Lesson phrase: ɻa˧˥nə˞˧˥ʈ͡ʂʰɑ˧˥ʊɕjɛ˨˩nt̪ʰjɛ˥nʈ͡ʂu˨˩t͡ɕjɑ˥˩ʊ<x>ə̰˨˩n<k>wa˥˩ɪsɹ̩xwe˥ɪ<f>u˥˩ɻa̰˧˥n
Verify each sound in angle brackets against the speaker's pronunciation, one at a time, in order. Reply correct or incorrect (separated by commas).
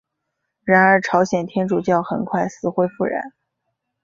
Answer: correct, incorrect, correct